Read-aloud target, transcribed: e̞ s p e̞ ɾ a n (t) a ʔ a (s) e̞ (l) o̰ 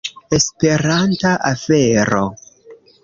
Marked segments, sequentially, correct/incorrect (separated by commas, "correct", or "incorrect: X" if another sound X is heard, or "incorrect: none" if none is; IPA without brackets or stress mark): correct, incorrect: f, incorrect: ɾ